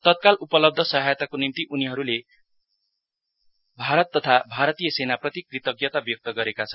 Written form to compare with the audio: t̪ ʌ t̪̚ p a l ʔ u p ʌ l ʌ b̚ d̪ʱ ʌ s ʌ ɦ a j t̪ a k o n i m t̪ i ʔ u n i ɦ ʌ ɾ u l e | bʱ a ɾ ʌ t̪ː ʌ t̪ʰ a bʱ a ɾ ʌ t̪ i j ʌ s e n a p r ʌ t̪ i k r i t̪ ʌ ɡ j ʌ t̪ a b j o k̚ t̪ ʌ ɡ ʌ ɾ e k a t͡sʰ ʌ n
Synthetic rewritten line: t̪ ʌ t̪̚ k a l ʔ u p ʌ l ʌ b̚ d̪ʱ ʌ s ʌ ɦ a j t̪ a k o n i m t̪ i ʔ u n i ɦ ʌ ɾ u l e | bʱ a ɾ ʌ t̪ː ʌ t̪ʰ a bʱ a ɾ ʌ t̪ i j ʌ s e n a p r ʌ t̪ i k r i t̪ ʌ ɡ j ʌ t̪ a b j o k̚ t̪ ʌ ɡ ʌ ɾ e k a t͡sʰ ʌ n